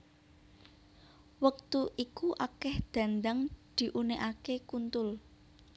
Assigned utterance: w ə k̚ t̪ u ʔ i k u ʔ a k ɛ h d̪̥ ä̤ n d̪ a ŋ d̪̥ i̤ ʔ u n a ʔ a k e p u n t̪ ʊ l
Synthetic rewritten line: w ə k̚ t̪ u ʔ i k u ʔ a k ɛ h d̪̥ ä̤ n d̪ a ŋ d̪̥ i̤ ʔ u n e ʔ a k e k u n t̪ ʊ l